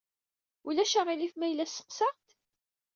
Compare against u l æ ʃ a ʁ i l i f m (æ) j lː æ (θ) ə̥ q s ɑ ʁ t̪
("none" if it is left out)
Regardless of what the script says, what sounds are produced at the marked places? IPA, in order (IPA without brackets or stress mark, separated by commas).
æ, s